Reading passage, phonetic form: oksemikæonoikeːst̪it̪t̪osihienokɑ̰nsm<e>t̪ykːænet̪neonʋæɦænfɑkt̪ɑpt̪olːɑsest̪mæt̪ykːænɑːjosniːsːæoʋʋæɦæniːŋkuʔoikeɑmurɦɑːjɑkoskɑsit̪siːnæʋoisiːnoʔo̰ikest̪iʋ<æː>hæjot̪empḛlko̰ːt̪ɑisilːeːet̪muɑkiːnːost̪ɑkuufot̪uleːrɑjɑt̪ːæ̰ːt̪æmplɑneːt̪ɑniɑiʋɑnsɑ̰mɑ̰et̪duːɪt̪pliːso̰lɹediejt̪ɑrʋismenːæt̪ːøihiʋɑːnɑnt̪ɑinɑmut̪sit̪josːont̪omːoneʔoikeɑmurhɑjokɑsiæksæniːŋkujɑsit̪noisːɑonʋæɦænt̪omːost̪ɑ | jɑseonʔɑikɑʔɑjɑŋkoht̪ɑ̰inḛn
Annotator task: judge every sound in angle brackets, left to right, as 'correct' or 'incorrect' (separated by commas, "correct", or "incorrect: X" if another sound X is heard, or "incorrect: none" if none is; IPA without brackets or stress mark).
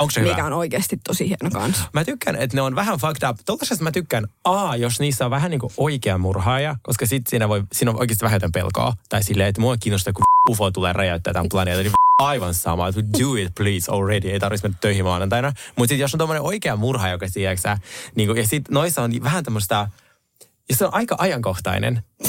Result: incorrect: æ, incorrect: æ